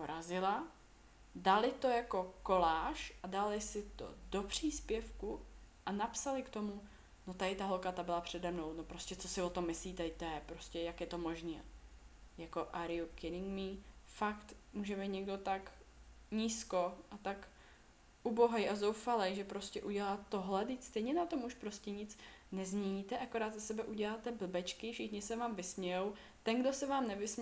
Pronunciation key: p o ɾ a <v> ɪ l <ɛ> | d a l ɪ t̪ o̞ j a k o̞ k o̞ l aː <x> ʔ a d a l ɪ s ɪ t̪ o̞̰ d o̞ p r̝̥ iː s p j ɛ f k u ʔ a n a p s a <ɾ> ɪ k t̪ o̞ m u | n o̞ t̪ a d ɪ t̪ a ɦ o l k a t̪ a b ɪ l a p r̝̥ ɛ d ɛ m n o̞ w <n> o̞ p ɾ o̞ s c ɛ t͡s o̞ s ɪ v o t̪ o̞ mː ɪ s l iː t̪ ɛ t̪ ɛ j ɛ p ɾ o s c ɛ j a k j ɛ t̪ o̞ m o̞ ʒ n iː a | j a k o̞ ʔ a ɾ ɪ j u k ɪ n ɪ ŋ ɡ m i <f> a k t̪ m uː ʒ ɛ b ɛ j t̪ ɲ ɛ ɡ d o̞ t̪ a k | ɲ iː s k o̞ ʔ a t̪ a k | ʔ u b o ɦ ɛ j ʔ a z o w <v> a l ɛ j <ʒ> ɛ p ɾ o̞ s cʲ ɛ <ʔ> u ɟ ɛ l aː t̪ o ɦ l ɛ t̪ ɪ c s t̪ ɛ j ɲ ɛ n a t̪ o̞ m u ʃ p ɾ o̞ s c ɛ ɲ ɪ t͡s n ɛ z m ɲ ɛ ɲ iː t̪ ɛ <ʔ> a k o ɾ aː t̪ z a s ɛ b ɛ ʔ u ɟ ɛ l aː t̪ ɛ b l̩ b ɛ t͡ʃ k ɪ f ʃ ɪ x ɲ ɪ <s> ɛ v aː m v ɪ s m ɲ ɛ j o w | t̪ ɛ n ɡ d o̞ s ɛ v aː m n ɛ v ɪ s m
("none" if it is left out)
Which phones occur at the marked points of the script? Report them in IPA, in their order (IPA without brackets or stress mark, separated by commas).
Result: z, a, ʃ, l, n, f, f, ʒ, ʔ, ʔ, s